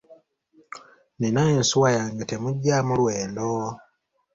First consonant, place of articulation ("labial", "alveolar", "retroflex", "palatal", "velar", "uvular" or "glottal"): alveolar